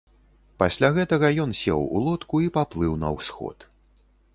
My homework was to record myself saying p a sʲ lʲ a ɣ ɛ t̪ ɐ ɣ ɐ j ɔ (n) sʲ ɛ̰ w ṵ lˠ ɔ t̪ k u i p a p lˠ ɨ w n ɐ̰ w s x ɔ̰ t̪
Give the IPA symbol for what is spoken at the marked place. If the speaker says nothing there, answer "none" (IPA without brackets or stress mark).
n